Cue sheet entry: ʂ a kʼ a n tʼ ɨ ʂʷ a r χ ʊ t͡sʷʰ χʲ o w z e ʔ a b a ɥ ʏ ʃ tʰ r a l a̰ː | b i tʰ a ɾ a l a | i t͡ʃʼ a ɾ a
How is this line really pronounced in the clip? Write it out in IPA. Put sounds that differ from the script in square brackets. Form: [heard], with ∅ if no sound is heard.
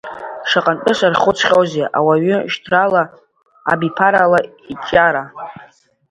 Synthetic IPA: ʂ a [qʼ] a n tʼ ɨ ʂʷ a r χ ʊ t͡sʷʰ χʲ o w z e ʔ a [w] a ɥ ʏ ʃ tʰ r a l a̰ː | b i [pʰ] a ɾ a l a | i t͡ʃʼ a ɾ a